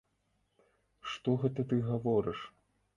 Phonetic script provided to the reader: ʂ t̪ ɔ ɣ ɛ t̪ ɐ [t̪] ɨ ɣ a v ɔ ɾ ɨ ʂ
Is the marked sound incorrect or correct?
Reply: correct